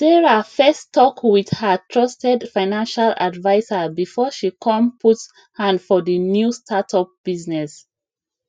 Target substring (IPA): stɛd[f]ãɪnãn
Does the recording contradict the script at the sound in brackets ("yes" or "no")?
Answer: no